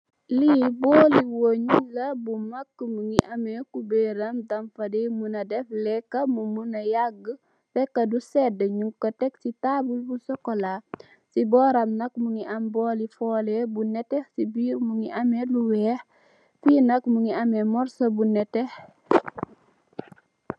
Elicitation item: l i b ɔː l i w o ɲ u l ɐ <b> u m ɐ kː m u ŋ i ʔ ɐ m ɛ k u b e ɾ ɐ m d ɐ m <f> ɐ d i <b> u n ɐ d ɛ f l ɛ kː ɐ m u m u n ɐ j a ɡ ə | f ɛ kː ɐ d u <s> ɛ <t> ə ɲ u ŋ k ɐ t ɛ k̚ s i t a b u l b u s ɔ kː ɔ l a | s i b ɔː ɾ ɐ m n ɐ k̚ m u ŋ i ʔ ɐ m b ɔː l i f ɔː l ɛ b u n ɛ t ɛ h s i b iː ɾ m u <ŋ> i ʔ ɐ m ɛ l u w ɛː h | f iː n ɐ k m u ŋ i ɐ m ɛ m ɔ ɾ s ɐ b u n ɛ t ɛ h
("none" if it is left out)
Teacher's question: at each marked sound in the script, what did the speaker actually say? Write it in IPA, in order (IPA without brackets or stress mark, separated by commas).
b, f, m, s, d, ŋ